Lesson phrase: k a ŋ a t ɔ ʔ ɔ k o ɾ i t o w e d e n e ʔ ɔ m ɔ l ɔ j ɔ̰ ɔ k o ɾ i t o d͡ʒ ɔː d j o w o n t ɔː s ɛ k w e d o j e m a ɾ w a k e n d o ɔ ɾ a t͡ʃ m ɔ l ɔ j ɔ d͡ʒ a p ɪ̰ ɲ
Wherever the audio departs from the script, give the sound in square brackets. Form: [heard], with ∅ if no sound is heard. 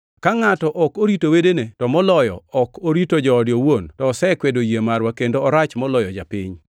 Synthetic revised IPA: k a ŋ a t ɔ ʔ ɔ k o ɾ i t o w e d e n e [t] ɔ m ɔ l ɔ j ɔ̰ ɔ k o ɾ i t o d͡ʒ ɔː d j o w o n t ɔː s ɛ k w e d o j e m a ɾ w a k e n d o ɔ ɾ a t͡ʃ m ɔ l ɔ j ɔ d͡ʒ a p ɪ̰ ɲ